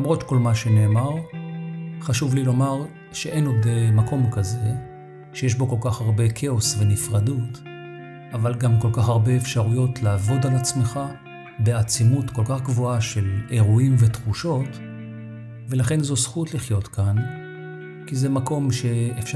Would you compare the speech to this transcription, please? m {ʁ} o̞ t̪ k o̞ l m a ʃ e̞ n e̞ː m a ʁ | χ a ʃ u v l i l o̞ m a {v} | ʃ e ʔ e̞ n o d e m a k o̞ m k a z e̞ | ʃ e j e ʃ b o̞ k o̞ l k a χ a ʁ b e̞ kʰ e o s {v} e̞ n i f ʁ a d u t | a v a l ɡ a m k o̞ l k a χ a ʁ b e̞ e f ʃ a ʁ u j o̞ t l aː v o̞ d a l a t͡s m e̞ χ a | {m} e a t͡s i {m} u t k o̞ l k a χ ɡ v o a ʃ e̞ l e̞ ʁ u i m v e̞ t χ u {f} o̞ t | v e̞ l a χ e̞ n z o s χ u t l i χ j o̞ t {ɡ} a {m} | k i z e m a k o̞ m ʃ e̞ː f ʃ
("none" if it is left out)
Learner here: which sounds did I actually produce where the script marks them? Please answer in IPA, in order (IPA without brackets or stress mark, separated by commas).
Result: ʁ, ʁ, v, b, m, ʃ, k, n